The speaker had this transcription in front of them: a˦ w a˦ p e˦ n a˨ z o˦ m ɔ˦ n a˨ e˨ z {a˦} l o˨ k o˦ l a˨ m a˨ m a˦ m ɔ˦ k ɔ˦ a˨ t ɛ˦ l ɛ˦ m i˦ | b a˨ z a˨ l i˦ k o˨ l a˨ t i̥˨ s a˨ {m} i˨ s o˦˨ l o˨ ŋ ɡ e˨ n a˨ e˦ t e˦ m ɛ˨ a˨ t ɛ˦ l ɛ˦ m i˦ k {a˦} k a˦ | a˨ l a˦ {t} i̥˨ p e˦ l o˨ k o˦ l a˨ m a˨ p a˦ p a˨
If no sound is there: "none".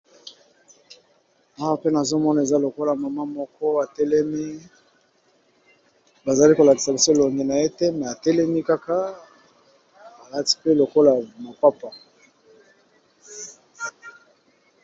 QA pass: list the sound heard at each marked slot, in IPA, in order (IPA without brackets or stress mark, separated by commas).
a˦, b, a˦, t